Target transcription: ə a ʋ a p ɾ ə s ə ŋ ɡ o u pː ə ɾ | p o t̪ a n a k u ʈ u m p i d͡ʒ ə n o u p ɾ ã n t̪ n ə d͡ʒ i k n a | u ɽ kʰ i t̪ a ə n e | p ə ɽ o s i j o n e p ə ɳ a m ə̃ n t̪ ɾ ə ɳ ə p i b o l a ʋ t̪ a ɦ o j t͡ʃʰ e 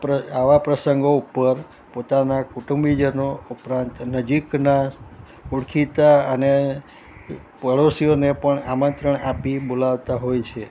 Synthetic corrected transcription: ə a ʋ a p ɾ ə s ə ŋ ɡ o u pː ə ɾ | p o t̪ a n a k u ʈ u m b i d͡ʒ ə n o u p ɾ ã n t̪ n ə d͡ʒ i k n a | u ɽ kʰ i t̪ a ə n e | p ə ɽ o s i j o n e p ə ɳ a m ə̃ n t̪ ɾ ə ɳ a p i b o l a ʋ t̪ a ɦ o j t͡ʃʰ e